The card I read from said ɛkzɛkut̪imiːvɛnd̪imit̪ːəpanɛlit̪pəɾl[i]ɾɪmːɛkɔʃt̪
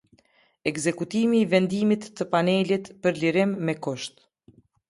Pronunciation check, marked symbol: correct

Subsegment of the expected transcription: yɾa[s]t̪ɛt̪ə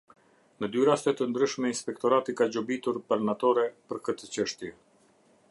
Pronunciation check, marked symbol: correct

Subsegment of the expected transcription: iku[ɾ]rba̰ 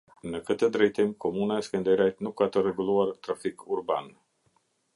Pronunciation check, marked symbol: incorrect: none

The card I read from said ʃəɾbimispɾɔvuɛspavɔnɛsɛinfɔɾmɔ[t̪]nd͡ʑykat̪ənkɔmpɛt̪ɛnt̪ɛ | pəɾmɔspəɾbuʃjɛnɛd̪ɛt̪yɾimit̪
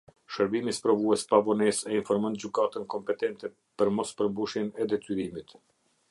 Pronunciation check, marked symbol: incorrect: none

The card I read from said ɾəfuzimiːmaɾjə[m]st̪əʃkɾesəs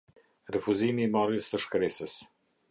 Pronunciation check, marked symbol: incorrect: none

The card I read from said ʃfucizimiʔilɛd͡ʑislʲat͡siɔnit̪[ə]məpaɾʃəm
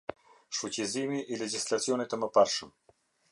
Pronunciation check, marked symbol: correct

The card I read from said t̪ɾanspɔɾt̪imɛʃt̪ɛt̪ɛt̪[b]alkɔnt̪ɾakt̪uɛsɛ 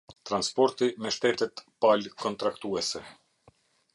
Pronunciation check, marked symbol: incorrect: p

